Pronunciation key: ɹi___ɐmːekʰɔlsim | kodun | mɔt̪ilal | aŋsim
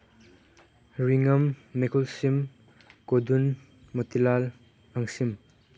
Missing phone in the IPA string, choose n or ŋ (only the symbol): ŋ